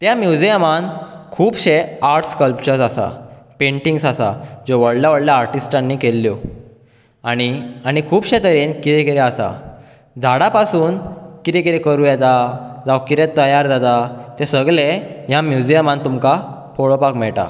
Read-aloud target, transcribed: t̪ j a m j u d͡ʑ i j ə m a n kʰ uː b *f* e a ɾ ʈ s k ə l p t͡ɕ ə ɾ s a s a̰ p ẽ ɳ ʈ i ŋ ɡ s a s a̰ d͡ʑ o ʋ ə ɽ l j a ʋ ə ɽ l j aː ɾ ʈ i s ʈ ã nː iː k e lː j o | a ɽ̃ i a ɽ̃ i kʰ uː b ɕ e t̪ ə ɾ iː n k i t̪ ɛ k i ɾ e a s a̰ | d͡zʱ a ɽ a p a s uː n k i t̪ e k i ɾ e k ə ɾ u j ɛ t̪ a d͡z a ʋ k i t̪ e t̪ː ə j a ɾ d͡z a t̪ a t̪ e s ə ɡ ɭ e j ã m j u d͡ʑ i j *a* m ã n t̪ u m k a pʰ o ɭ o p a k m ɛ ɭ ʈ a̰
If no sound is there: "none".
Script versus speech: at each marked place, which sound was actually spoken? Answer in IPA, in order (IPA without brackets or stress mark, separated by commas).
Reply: ɕ, ə